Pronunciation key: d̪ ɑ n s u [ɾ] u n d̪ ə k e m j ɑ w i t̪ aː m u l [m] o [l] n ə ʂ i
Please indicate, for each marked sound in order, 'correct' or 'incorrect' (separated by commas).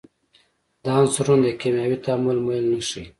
correct, correct, correct